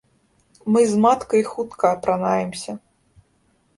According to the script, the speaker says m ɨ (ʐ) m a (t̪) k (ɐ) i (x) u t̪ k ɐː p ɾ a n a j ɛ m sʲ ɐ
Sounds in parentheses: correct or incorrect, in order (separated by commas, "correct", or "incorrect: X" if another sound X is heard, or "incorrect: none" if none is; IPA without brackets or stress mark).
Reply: incorrect: z, correct, correct, correct